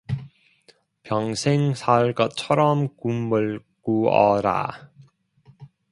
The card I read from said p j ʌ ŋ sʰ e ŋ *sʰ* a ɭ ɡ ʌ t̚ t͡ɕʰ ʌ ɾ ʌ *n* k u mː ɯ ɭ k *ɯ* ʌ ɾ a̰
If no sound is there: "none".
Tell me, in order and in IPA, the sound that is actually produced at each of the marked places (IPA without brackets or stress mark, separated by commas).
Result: sʰ, m, u